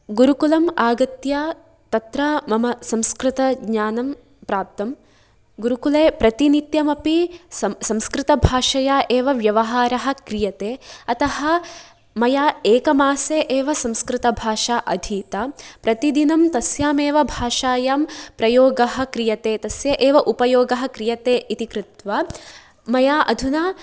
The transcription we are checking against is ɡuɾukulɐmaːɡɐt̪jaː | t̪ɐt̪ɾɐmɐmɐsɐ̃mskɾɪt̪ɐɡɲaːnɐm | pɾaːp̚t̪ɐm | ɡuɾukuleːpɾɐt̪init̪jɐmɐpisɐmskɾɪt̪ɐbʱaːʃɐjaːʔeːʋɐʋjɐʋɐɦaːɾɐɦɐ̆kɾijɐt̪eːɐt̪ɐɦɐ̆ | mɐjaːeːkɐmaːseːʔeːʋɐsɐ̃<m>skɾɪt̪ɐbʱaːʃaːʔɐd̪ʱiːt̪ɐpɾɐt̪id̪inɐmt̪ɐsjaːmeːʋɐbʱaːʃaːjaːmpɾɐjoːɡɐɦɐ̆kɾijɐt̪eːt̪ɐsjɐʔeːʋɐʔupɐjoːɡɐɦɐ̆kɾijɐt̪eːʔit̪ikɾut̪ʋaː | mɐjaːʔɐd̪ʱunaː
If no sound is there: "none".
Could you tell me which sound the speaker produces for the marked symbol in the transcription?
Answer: m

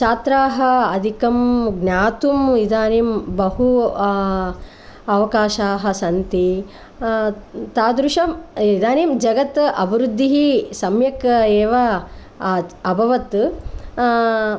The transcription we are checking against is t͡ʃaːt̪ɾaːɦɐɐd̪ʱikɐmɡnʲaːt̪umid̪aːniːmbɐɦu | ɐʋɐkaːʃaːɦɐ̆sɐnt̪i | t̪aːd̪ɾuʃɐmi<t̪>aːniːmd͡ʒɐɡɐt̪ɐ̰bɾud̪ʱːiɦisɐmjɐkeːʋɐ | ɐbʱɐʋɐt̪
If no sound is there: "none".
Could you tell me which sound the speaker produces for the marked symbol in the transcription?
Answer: d̪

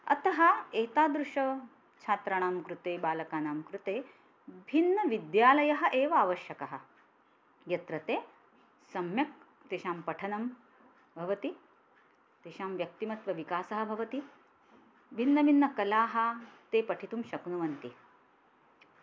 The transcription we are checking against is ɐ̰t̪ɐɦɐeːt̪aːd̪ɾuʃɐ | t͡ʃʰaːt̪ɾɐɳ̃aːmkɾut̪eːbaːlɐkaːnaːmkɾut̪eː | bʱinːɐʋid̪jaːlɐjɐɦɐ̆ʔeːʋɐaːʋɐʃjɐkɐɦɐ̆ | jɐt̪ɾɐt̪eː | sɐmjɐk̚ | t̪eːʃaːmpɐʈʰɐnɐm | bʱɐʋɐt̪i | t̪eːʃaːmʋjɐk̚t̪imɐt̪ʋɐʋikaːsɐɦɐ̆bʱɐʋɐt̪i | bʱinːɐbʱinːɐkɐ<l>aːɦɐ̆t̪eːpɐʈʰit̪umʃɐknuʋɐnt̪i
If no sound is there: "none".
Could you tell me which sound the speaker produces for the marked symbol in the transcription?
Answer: l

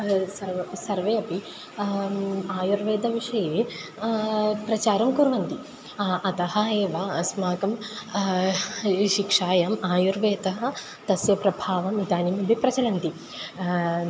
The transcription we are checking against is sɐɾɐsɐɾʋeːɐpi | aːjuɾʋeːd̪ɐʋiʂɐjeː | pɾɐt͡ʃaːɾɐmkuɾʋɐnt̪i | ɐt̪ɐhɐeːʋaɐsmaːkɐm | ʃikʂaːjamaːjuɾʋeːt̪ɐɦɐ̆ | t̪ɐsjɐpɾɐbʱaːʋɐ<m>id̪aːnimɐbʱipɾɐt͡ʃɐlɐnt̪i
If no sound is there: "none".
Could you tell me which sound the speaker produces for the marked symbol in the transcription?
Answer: m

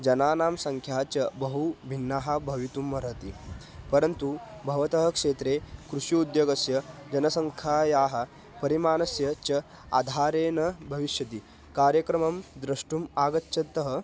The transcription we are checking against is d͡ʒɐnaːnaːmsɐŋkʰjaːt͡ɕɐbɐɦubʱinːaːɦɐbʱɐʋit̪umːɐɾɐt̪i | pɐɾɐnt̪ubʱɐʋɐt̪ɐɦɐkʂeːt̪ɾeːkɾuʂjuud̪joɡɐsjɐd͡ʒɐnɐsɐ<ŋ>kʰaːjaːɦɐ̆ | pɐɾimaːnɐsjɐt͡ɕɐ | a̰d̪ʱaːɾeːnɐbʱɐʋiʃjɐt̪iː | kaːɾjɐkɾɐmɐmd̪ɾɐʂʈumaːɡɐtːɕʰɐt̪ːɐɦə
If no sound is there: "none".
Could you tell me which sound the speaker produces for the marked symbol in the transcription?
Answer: ŋ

